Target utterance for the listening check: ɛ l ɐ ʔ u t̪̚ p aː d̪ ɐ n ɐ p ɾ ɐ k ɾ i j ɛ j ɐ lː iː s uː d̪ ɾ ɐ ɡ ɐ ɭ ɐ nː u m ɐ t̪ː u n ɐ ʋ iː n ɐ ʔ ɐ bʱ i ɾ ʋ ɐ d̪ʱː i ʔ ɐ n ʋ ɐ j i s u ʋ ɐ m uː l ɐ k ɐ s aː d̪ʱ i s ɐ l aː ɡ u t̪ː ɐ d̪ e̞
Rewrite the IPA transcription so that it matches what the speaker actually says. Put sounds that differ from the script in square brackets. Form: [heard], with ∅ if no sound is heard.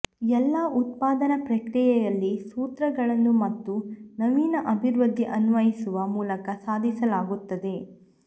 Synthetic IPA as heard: ɛ [lː] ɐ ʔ u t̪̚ p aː d̪ ɐ n ɐ p ɾ ɐ k ɾ i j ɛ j ɐ lː [i] s uː [t̪] ɾ ɐ ɡ ɐ ɭ ɐ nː u m ɐ t̪ː u n ɐ ʋ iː n ɐ ʔ ɐ bʱ i ɾ ʋ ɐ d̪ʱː i ʔ ɐ n ʋ ɐ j i s u ʋ ɐ m uː l ɐ k ɐ s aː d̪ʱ i s ɐ l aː ɡ u t̪ː ɐ d̪ e̞